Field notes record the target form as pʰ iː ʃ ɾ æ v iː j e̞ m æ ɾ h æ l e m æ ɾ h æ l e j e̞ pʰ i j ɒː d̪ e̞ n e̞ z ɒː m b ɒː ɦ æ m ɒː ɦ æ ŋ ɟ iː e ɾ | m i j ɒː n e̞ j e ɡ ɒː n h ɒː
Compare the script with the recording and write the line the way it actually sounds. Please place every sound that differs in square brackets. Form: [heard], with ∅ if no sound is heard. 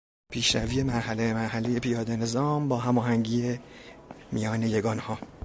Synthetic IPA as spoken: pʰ iː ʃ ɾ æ v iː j e̞ m æ ɾ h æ l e m æ ɾ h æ l e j e̞ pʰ i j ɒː d̪ e̞ n e̞ z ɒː m b ɒː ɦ æ m ɒː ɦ æ ŋ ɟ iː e [∅] | m i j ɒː n e̞ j e ɡ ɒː n h ɒː